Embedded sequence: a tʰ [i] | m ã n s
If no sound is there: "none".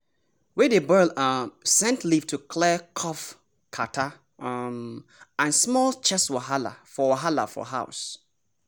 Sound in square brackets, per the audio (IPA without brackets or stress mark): a